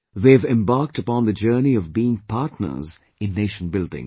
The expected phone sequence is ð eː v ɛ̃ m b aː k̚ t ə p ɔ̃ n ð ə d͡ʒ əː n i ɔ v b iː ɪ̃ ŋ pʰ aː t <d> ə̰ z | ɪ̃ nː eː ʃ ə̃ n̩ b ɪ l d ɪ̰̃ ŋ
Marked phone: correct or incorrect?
incorrect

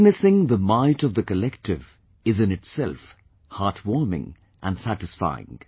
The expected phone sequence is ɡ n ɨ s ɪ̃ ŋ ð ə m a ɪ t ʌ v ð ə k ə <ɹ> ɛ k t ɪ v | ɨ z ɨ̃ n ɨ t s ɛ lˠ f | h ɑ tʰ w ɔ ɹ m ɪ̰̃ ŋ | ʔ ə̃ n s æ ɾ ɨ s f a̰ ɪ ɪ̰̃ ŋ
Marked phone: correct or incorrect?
incorrect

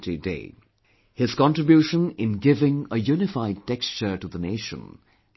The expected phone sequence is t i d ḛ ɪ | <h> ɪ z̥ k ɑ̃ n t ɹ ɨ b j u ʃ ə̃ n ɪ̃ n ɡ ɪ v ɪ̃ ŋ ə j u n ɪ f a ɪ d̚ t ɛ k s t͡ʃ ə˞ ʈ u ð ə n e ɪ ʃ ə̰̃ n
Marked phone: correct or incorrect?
correct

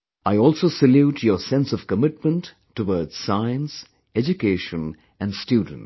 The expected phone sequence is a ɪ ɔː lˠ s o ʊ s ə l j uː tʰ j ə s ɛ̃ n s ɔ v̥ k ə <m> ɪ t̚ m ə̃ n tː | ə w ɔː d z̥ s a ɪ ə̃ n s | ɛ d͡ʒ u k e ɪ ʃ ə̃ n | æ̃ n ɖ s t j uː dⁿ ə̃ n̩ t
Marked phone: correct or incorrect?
correct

